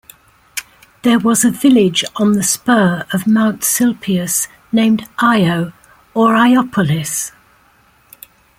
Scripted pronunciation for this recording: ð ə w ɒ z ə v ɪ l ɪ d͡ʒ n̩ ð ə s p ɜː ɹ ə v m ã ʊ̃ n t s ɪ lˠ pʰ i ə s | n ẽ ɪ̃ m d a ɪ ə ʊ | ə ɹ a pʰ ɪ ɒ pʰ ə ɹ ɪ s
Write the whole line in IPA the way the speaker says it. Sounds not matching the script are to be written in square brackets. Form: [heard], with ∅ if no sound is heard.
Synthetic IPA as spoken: ð ə w ɒ z ə v ɪ l ɪ d͡ʒ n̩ ð ə s p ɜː ɹ ə v m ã ʊ̃ n t s ɪ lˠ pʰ i ə s | n ẽ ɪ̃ m d a ɪ ə ʊ | ə ɹ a [∅] ɪ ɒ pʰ ə [l] ɪ s